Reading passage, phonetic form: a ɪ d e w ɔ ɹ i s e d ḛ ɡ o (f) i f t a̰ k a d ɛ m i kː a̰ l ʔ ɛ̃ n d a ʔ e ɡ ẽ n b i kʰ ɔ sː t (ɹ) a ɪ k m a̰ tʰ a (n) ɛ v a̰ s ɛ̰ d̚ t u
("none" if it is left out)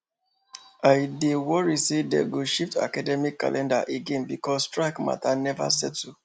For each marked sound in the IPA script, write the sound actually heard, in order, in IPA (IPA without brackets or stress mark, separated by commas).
ʃ, ɹ, n